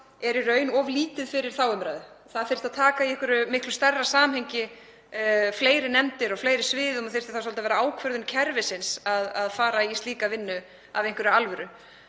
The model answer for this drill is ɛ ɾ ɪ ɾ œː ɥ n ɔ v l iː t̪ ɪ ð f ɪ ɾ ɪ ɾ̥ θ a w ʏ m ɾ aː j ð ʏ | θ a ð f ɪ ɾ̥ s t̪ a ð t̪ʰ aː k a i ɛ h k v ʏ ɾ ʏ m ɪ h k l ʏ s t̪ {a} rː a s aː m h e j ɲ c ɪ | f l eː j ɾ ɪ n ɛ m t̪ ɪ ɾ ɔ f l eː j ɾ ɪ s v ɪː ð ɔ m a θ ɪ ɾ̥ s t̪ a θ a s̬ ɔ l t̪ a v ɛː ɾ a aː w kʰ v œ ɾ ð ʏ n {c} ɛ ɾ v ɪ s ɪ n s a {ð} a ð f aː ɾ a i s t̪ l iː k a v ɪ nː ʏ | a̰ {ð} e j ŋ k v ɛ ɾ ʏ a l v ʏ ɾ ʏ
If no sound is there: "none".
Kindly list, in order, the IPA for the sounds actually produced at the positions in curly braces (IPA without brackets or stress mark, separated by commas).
ɛ, cʰ, ð, v